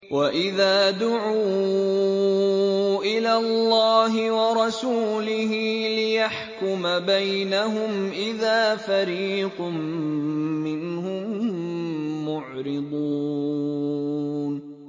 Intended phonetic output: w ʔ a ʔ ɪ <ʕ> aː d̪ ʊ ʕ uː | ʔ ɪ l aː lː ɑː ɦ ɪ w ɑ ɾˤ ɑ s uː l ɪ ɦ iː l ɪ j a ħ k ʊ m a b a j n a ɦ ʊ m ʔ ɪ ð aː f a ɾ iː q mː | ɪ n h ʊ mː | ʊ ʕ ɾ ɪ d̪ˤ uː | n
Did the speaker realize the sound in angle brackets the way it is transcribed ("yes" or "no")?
no